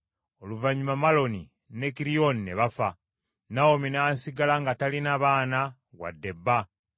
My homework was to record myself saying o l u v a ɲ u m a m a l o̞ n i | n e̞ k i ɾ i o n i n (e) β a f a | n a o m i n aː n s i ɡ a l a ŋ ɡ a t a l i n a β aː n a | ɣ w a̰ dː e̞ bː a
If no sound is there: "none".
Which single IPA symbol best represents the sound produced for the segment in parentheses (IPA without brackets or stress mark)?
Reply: e